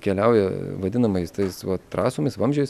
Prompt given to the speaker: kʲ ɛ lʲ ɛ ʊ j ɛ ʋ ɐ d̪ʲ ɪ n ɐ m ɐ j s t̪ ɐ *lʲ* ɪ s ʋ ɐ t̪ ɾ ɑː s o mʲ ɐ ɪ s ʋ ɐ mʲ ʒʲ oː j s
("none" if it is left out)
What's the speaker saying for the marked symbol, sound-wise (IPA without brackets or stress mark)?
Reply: none